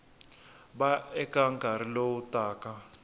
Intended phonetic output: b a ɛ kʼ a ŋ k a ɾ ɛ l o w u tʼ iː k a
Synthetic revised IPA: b a ɛ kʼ a ŋ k a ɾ i l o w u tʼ aː k a

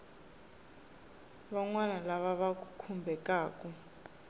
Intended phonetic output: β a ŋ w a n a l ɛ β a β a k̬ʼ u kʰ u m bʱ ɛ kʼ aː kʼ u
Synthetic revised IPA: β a ŋ w a n a l a β a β a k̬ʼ u kʰ u m bʱ ɛ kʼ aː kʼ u

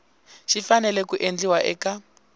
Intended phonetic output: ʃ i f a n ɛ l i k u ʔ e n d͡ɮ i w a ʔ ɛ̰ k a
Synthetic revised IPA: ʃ i f a n ɛ l ɛ k u ʔ e n d͡ɮ i w a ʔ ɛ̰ k a

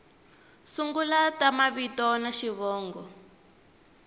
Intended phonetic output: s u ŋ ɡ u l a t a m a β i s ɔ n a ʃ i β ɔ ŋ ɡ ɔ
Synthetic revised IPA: s u ŋ ɡ u l a t a m a β i t ɔ n a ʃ i β ɔː ŋ ɡ ɔ

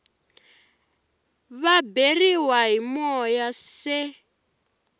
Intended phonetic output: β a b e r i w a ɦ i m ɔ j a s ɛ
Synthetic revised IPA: β a b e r i w a ɦ i m ɔ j a s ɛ

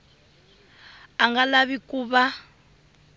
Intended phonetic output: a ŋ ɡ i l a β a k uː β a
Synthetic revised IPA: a ŋ ɡ a l a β i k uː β a

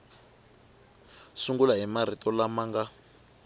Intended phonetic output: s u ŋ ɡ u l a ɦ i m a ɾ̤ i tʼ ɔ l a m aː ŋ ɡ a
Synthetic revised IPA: s u ŋ ɡ u l a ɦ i m a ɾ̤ i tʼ ɔ l a m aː ŋ ɡ a

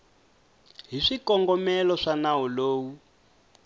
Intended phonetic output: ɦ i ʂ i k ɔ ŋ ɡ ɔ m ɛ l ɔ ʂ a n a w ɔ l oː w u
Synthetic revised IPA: ɦ i ʂ i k ɔ ŋ ɡ ɔ m ɛ l ɔ ʂ a n a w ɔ l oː w u

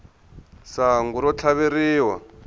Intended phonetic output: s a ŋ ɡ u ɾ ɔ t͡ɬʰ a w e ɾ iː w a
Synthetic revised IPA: s a ŋ ɡ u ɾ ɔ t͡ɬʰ a β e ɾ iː w a

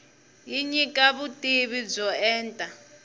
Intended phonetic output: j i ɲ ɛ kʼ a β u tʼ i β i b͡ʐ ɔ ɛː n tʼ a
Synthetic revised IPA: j i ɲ i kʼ a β u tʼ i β i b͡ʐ ɔ ɛː n tʼ a

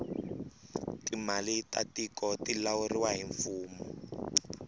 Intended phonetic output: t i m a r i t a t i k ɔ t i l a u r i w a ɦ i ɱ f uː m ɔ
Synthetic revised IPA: t i m a l i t a t i k ɔ t i l a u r i w a ɦ i ɱ f uː m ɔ

